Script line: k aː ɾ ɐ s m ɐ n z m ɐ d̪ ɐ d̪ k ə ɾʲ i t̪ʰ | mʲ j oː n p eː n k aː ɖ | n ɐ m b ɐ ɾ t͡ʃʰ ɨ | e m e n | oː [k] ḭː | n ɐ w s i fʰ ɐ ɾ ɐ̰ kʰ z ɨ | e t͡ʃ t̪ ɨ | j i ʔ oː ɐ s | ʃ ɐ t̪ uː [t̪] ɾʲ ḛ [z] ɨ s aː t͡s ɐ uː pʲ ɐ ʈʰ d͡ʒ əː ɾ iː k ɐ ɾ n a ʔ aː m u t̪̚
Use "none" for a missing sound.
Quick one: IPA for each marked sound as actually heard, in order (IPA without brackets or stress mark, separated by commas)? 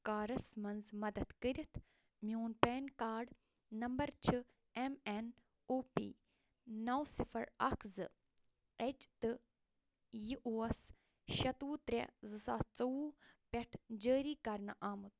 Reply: p, t̪, z